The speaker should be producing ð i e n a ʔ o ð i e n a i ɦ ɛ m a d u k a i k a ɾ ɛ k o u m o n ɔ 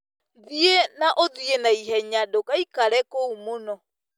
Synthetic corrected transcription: ð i e n a ʔ o ð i e n a i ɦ ɛ ɲ a d o k a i k a ɾ ɛ k o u m o n ɔ